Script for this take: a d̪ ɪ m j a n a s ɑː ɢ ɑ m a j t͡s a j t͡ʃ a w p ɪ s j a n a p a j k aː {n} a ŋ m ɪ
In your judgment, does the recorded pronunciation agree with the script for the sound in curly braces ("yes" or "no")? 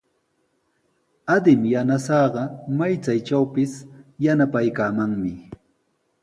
no